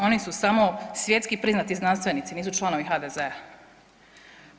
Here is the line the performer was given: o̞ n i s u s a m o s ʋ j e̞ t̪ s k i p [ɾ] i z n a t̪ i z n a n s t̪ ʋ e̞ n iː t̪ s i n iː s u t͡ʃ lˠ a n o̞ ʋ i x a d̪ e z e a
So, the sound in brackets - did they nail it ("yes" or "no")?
yes